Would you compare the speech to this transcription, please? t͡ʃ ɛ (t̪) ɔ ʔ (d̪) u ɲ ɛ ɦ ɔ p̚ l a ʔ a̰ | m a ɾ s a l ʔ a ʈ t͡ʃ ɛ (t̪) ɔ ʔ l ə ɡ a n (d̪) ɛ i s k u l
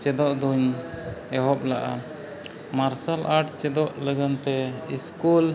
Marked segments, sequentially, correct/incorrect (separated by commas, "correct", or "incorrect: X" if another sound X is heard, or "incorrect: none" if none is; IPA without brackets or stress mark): incorrect: d̪, correct, incorrect: d̪, incorrect: t̪